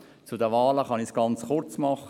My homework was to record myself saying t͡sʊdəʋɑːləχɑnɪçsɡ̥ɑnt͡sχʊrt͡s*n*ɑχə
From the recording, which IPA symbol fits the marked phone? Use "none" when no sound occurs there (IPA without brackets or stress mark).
m